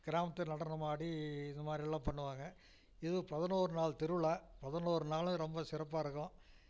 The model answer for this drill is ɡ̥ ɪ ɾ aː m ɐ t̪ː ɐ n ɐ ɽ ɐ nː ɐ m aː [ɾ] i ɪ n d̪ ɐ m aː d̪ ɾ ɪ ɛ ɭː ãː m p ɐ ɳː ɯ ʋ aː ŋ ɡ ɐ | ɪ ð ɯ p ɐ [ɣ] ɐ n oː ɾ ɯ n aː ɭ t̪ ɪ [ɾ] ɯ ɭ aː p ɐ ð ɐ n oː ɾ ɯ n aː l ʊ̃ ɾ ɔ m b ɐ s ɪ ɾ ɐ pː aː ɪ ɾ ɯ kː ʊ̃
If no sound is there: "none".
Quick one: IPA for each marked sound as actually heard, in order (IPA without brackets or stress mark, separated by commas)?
ɽ, ð, ɾ